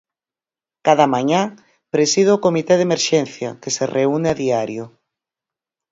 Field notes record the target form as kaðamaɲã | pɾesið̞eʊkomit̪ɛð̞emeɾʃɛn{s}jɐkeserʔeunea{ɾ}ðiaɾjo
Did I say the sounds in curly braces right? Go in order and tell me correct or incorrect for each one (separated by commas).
incorrect, incorrect